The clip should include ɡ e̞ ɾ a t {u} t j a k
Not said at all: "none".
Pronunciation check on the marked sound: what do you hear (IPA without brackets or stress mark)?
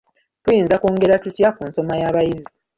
u